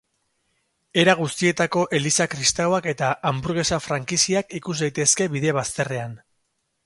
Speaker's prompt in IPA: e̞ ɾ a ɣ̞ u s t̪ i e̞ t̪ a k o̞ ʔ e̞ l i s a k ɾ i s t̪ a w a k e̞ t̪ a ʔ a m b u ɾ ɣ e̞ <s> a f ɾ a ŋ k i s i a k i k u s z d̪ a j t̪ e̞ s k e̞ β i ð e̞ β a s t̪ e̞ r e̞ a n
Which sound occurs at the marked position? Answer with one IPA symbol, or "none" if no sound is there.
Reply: s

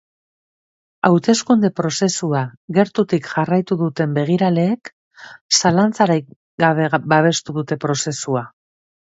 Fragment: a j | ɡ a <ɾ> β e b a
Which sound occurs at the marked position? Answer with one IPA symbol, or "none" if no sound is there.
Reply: none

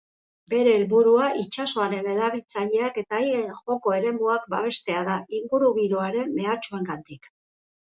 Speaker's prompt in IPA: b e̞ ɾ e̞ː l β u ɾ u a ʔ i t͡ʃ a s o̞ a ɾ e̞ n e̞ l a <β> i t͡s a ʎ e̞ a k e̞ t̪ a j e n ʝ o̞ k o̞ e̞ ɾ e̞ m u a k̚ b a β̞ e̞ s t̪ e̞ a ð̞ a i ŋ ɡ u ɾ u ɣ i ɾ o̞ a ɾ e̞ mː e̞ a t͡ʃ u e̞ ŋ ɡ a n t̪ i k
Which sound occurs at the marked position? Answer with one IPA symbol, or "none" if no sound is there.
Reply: β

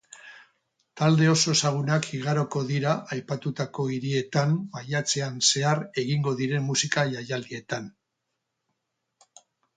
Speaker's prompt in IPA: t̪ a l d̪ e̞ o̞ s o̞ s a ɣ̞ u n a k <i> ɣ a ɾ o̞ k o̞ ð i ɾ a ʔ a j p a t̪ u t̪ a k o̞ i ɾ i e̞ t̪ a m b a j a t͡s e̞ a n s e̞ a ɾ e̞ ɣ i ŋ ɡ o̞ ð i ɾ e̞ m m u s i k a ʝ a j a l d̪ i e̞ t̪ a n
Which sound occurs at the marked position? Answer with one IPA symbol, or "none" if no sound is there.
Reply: i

